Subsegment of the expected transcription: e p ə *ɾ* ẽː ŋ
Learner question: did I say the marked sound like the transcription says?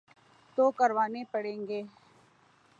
no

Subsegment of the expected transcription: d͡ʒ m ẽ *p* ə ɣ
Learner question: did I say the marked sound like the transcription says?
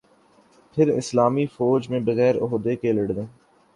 no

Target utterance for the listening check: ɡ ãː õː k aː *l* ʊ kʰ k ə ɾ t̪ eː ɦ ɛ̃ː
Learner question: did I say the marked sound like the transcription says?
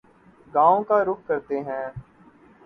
no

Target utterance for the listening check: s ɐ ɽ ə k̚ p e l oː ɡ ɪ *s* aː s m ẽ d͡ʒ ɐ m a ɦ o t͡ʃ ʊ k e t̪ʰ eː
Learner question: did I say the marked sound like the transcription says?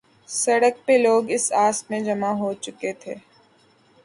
yes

